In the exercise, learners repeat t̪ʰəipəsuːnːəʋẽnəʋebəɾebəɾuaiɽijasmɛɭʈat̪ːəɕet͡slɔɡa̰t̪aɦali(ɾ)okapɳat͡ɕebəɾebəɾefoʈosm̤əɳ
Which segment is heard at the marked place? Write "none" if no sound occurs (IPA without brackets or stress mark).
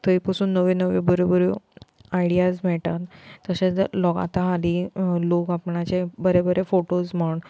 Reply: l